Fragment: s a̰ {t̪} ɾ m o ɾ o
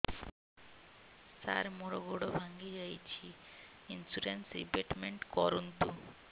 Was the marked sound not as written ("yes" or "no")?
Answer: yes